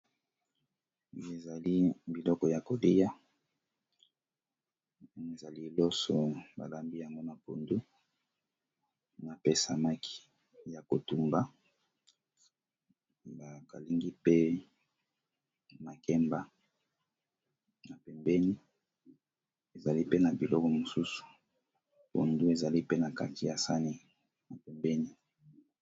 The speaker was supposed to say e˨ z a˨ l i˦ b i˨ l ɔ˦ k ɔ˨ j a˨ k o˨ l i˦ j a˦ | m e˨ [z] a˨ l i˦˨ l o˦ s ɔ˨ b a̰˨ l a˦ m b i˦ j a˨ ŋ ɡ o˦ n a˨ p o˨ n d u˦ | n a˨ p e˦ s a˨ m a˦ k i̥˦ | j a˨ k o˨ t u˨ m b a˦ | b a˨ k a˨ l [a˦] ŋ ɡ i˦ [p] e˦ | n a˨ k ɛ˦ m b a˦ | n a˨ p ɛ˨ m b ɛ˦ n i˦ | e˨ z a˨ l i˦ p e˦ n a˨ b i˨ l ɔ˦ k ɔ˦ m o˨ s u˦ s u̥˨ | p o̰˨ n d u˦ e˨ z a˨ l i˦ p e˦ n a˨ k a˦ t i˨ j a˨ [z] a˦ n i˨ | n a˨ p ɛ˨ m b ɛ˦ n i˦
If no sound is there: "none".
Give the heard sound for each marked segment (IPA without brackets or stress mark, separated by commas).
z, i˦, p, s